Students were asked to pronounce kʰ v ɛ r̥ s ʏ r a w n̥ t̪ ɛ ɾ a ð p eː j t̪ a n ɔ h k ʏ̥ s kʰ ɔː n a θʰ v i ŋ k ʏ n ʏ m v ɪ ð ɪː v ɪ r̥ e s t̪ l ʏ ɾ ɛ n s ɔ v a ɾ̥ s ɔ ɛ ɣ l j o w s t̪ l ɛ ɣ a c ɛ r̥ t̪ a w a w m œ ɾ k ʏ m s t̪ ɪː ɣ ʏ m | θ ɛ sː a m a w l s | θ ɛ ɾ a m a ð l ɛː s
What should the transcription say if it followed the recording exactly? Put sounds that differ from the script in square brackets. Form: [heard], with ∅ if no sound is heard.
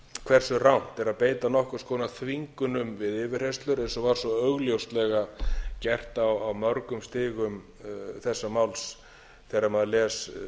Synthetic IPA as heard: kʰ v ɛ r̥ s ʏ r a w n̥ t̪ ɛ ɾ a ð p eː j t̪ a n ɔ h k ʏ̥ s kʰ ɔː n a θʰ v i ŋ k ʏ n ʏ m v ɪ ð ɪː v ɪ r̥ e s t̪ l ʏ ɾ ɛ n s ɔ v a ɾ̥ s ɔ [œ] ɣ l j o w s t̪ l ɛ ɣ a c ɛ r̥ t̪ a w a w m œ ɾ k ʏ m s t̪ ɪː ɣ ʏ m | θ ɛ sː a m a w l s | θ ɛ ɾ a m a ð l ɛː s

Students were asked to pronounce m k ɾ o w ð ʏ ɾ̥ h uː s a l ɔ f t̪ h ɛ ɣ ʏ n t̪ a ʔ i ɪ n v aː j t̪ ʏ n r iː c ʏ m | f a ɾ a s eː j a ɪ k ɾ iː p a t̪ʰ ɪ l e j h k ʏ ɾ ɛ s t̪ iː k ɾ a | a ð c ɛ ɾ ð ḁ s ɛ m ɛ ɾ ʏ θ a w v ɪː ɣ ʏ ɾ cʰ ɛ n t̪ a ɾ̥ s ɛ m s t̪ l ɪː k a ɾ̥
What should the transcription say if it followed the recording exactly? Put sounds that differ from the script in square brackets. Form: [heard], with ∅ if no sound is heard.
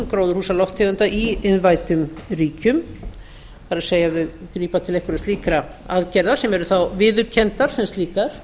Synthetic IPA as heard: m k ɾ o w ð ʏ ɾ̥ h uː s a l ɔ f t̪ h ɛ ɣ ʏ n t̪ a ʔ i ɪ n v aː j t̪ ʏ [m] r iː c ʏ m | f a ɾ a s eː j a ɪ k ɾ iː p a t̪ʰ ɪ l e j h k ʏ ɾ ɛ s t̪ iː k ɾ a | a ð c ɛ ɾ ð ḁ s ɛ m ɛ ɾ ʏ θ a w v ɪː [ð] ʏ ɾ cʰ ɛ n t̪ a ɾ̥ s ɛ m s t̪ l [iː] k a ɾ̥

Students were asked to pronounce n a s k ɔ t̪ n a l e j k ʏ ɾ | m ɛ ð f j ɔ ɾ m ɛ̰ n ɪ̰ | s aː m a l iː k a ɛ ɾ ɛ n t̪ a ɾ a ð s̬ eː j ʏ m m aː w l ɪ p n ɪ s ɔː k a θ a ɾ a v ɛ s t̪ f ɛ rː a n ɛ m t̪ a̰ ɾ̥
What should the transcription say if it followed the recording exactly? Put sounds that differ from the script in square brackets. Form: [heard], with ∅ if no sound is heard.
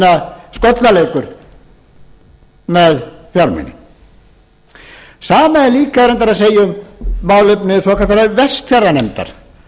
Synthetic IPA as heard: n a s k ɔ t̪ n a l e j k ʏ ɾ | m ɛ ð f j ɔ ɾ m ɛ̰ n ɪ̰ | s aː m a l iː k a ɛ ɾ ɛ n t̪ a ɾ a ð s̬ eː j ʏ m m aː w l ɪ p n ɪ s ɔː k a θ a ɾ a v ɛ s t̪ f ɛ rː a n ɛ m t̪ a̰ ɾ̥

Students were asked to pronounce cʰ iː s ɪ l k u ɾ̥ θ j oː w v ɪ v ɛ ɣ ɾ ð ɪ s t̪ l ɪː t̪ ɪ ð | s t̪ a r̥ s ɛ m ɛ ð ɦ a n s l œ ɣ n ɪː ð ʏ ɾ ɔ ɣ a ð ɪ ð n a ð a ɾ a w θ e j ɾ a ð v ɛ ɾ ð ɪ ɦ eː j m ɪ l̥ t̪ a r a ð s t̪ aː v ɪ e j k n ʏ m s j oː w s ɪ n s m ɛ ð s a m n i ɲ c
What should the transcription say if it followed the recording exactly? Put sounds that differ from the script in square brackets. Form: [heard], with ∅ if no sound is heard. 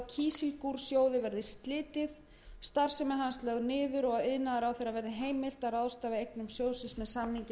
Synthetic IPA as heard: cʰ iː s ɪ l k u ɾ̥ [s] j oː w [ð] ɪ v ɛ [∅] ɾ ð ɪ s t̪ l ɪː t̪ ɪ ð | s t̪ a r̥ s ɛ m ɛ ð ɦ a n s l œ ɣ n ɪː ð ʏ ɾ ɔ ɣ a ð ɪ ð n a ð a ɾ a w θ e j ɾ a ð v ɛ ɾ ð ɪ ɦ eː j m ɪ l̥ t̪ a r a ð s t̪ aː v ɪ e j k n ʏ m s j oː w s ɪ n s m ɛ ð s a m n i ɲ c

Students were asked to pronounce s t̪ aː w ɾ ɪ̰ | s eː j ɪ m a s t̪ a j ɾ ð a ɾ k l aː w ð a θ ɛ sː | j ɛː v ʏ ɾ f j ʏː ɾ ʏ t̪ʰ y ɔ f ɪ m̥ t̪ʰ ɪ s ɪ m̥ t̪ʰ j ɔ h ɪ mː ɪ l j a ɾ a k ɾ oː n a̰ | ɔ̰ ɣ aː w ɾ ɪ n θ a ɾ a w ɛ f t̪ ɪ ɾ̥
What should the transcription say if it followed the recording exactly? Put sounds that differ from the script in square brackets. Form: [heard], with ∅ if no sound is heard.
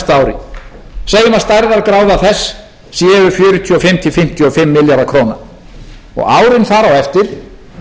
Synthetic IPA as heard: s t̪ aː w ɾ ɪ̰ | s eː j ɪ m a s t̪ a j ɾ ð a ɾ k [ɾ] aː w ð a θ ɛ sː | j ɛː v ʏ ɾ f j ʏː ɾ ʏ t̪ʰ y ɔ f ɪ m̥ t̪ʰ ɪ [f] ɪ m̥ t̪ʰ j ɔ [f] ɪ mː ɪ l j a ɾ a [kʰ] ɾ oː n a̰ | ɔ̰ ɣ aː w ɾ ɪ n θ a ɾ a w ɛ f t̪ ɪ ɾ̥

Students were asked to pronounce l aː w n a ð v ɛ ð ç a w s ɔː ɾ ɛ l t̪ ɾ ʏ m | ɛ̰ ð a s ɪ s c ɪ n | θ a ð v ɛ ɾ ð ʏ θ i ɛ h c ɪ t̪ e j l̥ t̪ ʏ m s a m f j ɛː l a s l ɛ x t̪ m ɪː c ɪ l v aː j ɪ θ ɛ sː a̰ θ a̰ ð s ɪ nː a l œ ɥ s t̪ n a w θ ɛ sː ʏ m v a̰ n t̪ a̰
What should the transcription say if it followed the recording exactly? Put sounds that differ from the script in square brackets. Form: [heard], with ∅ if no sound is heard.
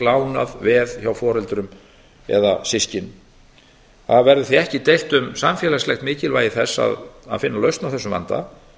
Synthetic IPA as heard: l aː w n a ð v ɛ ð ç a w [f] ɔː ɾ ɛ l t̪ ɾ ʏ m | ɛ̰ ð a s ɪ s c ɪ n | θ a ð v ɛ ɾ ð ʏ θ i ɛ h c ɪ t̪ e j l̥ t̪ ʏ m s a m f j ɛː l a s l ɛ x t̪ m ɪː c ɪ l v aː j ɪ θ ɛ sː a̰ [ð] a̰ ð [f] ɪ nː a l œ ɥ s t̪ n a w θ ɛ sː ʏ m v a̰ n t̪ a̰

